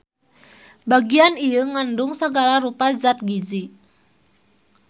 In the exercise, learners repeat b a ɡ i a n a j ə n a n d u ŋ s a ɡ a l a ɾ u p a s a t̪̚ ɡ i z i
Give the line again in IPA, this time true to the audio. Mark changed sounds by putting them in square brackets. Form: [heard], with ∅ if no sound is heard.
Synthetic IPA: b a ɡ i a n [i] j ə [ŋ] a n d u ŋ s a ɡ a l a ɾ u p a [z] a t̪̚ ɡ i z i